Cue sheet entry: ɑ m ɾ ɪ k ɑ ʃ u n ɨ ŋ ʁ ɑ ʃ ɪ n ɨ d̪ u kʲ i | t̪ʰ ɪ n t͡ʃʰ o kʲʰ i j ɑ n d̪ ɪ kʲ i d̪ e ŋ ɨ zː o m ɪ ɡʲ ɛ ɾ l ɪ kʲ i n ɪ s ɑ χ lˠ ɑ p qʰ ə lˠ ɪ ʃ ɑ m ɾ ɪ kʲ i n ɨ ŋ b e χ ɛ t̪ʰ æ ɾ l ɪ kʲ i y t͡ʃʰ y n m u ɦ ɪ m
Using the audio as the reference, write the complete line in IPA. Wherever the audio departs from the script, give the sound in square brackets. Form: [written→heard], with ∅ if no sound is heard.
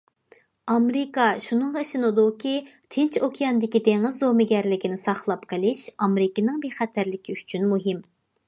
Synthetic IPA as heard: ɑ m ɾ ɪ k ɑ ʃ u n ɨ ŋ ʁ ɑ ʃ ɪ n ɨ d̪ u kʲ i | t̪ʰ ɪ n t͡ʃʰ o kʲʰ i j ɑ n d̪ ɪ kʲ i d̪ e ŋ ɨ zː o m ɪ ɡʲ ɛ ɾ l ɪ kʲ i n ɪ s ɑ χ lˠ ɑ p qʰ ə lˠ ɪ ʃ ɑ m ɾ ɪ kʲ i n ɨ ŋ b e χ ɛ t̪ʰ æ ɾ l ɪ kʲ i y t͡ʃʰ y n m u ɦ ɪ m